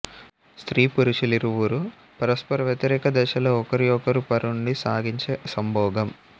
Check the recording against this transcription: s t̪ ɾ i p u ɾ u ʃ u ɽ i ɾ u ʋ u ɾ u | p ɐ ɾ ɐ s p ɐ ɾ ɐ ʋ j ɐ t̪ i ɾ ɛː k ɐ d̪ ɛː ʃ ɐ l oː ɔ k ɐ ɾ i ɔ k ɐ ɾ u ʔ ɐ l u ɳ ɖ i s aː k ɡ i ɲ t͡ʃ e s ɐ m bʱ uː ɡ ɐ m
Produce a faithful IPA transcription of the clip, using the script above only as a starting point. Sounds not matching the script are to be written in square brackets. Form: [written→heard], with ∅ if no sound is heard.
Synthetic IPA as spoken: s t̪ ɾ [i→iː] p u ɾ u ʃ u [ɽ→l] i ɾ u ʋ u ɾ u | p ɐ ɾ ɐ s p ɐ ɾ ɐ ʋ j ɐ t̪ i ɾ ɛː k ɐ d̪ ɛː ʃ ɐ l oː ɔ k ɐ ɾ i ɔ k ɐ ɾ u [ʔ→p] ɐ [l→ɾ] u ɳ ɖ i s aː [k→∅] ɡ i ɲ t͡ʃ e s ɐ m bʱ [uː→ɔː] ɡ ɐ m